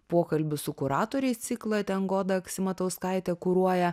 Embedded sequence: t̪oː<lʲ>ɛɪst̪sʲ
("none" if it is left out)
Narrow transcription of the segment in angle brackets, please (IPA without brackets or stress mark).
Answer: ɾʲ